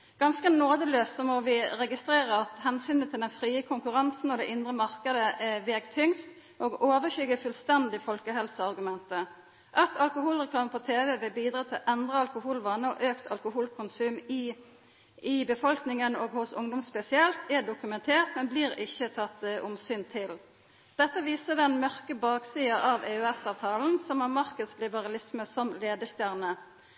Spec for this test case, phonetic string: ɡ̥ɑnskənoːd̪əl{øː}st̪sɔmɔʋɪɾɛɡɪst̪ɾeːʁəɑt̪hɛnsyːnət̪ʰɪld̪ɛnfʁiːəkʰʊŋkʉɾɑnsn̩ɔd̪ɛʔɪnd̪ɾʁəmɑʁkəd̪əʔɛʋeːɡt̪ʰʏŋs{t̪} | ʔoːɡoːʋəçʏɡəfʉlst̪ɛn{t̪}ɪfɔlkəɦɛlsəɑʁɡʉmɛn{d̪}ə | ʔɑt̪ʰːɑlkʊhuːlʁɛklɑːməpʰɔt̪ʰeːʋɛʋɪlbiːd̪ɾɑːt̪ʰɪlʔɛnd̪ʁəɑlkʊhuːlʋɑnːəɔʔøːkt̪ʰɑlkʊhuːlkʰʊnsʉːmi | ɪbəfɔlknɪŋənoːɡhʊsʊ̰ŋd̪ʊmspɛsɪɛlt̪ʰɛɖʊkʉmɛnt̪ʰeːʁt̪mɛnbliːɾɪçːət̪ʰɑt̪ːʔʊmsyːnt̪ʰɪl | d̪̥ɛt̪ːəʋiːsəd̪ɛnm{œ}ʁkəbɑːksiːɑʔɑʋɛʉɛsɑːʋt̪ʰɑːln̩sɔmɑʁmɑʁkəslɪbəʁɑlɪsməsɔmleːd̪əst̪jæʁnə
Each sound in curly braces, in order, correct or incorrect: correct, correct, incorrect, incorrect, correct

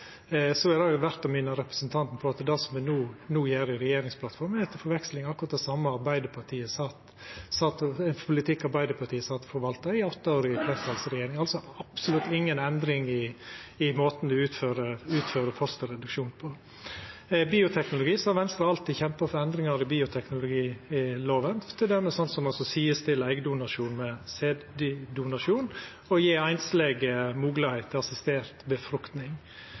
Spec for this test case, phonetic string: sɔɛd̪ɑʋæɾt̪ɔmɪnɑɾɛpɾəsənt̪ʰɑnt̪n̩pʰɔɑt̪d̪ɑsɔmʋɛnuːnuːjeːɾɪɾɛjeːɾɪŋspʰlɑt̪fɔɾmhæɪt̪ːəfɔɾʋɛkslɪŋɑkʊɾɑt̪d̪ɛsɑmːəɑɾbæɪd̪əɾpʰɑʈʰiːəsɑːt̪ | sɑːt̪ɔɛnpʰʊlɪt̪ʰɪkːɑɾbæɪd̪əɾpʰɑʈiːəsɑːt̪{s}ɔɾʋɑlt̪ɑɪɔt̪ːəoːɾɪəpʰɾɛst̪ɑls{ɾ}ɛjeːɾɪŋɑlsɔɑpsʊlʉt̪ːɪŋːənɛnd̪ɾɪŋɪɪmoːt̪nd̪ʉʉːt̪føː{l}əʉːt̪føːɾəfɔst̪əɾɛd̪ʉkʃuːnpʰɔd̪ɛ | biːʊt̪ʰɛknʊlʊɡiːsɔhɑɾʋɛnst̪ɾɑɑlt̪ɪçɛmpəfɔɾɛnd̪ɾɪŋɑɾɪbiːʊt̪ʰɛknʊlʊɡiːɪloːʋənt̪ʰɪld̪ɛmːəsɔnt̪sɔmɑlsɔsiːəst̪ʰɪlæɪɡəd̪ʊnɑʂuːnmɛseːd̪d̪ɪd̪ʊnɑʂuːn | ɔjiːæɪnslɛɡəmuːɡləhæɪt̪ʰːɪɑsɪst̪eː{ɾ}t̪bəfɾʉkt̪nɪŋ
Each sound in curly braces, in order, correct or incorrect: incorrect, correct, incorrect, correct

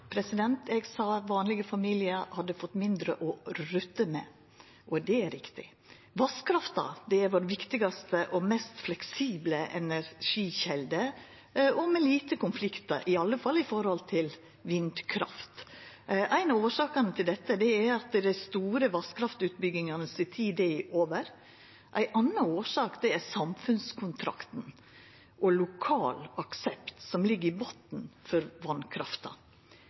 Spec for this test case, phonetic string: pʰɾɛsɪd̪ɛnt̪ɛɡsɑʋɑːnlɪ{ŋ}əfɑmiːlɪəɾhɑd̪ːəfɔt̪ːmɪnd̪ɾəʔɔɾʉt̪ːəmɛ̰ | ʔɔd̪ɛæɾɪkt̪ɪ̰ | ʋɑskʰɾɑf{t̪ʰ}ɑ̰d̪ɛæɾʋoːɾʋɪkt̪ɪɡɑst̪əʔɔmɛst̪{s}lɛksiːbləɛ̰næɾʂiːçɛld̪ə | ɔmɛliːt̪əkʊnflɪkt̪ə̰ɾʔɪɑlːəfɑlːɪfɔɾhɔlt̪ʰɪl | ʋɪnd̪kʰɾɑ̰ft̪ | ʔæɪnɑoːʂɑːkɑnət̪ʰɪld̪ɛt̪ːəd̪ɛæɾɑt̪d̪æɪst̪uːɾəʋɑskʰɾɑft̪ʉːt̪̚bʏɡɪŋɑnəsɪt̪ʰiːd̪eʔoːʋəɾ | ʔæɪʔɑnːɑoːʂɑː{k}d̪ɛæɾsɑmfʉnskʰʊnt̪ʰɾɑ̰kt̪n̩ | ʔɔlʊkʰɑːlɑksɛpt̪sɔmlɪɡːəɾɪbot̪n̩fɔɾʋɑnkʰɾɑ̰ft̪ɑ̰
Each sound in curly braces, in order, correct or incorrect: incorrect, incorrect, incorrect, correct

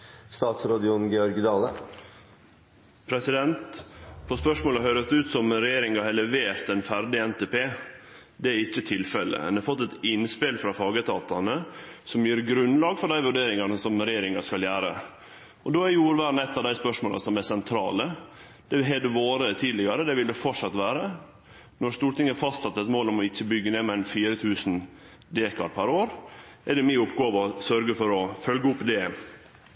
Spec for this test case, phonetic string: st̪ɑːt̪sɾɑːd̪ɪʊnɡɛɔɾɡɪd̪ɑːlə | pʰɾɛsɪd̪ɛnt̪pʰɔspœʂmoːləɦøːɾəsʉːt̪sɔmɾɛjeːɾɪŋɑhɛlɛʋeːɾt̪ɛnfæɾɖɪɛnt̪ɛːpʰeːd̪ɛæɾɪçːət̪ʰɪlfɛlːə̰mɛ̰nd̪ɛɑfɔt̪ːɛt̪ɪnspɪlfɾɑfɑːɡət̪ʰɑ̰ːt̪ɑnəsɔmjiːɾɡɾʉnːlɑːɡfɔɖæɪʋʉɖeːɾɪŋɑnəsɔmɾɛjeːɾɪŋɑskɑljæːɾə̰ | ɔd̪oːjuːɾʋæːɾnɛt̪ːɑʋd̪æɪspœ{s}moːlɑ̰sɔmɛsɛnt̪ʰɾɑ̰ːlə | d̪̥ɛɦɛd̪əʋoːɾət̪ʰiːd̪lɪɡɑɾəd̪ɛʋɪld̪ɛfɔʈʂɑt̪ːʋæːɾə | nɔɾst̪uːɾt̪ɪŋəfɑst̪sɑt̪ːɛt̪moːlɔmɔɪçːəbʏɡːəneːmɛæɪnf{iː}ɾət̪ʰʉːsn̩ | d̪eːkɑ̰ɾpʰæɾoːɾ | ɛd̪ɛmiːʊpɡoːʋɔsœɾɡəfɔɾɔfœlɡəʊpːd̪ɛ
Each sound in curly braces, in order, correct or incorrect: incorrect, correct

